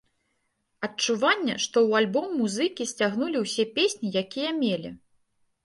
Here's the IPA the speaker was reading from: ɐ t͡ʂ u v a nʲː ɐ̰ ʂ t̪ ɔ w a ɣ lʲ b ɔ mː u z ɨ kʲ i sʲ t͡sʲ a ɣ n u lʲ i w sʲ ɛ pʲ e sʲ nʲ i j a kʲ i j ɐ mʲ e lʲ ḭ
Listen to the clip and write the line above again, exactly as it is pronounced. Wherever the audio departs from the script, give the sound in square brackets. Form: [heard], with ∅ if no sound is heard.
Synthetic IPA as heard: ɐ t͡ʂ u v a nʲː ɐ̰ ʂ t̪ ɔ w a [∅] lʲ b ɔ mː u z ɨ kʲ i sʲ t͡sʲ a ɣ n u lʲ i w sʲ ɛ pʲ e sʲ nʲ i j a kʲ i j ɐ mʲ e lʲ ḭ